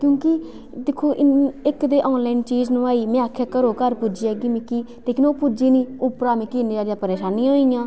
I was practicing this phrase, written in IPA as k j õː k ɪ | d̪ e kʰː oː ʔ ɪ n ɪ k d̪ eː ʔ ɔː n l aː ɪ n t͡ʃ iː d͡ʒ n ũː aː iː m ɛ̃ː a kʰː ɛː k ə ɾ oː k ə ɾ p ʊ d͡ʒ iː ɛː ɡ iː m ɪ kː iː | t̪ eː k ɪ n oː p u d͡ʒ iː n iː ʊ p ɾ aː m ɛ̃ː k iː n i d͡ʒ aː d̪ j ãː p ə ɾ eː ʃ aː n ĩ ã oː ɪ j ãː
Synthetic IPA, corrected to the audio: k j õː k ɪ | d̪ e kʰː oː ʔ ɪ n ɪ k d̪ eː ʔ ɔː n l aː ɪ n t͡ʃ iː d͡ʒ n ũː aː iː m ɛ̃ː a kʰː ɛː k ə ɾ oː k ə ɾ p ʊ d͡ʒ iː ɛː ɡ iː m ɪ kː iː | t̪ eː k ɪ n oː p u d͡ʒ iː n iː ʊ p ɾ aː m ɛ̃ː k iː n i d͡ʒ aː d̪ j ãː p ə ɾ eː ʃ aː n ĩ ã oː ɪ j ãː